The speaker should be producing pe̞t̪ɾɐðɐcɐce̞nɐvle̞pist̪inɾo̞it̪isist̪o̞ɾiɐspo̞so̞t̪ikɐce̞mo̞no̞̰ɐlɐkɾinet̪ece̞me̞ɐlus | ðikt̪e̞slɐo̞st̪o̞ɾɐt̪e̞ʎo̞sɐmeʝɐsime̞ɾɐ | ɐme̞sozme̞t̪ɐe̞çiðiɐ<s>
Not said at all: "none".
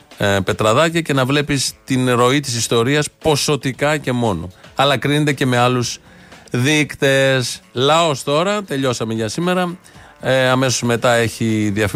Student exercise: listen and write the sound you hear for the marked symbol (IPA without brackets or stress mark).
f